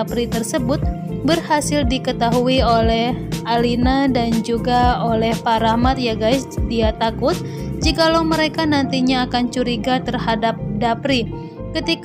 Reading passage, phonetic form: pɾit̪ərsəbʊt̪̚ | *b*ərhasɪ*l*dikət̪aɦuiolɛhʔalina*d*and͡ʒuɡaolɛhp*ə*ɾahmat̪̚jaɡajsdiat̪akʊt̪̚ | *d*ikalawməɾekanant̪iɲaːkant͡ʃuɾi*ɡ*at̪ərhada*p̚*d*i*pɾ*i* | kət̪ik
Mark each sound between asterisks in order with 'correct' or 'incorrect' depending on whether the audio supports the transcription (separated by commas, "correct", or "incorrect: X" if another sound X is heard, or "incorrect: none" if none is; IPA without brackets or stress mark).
correct, correct, correct, incorrect: a, incorrect: d͡ʒ, correct, correct, incorrect: a, correct